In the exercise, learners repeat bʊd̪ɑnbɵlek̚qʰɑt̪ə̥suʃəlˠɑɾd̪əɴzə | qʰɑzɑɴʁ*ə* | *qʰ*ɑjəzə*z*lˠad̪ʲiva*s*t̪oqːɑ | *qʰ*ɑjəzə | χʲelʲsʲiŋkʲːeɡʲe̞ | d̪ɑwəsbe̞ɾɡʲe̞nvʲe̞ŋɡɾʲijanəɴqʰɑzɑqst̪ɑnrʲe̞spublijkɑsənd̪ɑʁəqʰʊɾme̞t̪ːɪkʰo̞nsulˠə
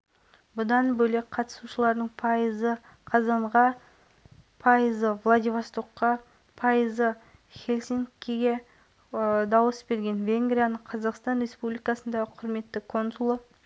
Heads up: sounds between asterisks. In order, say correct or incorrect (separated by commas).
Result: incorrect, incorrect, incorrect, correct, incorrect